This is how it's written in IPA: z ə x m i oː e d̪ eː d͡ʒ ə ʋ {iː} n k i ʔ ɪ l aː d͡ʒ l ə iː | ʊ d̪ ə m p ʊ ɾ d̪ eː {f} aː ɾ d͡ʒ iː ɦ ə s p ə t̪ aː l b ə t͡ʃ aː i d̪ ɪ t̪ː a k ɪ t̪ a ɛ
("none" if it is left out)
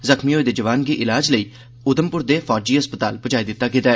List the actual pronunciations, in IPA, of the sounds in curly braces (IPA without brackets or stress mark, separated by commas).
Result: aː, f